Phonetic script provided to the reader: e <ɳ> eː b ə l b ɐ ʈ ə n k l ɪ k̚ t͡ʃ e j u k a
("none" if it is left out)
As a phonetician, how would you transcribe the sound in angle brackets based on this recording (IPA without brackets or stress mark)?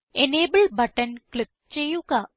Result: n